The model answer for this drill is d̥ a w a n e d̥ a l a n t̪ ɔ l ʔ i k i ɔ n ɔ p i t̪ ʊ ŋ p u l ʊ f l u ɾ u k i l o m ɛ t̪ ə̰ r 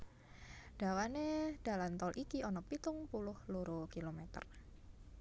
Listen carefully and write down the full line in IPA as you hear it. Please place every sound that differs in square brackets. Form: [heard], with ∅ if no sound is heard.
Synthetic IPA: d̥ a w a n e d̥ a l a n t̪ ɔ l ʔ i k i ɔ n ɔ p i t̪ ʊ ŋ p u l ʊ [h] l u ɾ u k i l o m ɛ t̪ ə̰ r